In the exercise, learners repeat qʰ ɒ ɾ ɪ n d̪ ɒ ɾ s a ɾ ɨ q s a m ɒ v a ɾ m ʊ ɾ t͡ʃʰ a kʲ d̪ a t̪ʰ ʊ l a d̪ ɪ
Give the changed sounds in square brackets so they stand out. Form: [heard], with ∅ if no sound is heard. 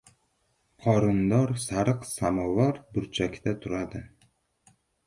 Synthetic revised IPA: qʰ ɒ ɾ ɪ n d̪ ɒ ɾ s a ɾ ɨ q s a m ɒ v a ɾ [b] ʊ ɾ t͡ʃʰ a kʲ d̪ a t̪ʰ ʊ [ɾ] a d̪ ɪ